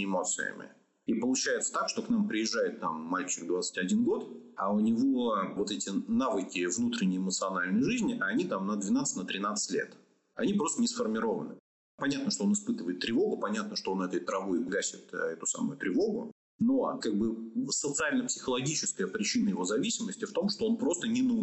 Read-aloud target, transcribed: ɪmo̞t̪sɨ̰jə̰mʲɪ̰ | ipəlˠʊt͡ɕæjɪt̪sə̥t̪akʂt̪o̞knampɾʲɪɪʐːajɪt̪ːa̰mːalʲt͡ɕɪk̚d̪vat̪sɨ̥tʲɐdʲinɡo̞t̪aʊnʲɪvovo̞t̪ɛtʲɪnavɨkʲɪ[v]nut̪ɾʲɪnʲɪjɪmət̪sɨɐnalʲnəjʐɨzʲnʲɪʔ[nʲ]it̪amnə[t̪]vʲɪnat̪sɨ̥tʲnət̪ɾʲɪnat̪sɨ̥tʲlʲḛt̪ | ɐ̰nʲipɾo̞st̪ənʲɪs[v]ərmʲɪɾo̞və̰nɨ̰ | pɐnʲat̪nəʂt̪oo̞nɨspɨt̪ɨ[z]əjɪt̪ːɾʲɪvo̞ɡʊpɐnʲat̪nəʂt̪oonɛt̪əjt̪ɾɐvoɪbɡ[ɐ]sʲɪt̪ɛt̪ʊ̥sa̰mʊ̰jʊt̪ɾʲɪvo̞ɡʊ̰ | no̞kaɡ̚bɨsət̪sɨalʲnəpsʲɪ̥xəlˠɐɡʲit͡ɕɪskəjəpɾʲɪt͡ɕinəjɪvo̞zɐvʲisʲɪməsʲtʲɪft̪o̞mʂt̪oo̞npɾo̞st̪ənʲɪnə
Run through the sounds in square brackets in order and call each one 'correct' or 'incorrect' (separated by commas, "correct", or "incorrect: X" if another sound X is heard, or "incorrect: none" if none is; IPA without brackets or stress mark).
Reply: correct, correct, incorrect: d̪, incorrect: f, incorrect: v, incorrect: a